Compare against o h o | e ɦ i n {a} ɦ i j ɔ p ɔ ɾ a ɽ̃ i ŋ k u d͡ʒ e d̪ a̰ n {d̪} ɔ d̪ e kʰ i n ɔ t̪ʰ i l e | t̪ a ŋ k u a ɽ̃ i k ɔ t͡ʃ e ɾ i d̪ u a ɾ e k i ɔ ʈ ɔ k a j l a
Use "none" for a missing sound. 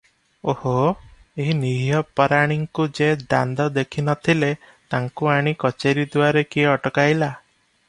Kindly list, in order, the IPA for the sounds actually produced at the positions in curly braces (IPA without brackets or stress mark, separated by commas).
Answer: i, d̪